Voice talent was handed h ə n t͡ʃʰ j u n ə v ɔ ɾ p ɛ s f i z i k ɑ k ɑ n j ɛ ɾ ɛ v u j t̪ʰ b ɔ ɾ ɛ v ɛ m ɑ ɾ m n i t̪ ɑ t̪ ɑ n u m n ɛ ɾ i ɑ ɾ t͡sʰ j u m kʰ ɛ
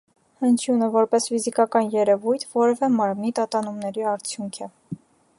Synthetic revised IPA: h ə n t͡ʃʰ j u n ə v ɔ ɾ p ɛ s f i z i k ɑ k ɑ n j ɛ ɾ ɛ v u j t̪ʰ v ɔ ɾ ɛ v ɛ m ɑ ɾ m n i t̪ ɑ t̪ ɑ n u m n ɛ ɾ i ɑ ɾ t͡sʰ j u ŋ kʰ ɛ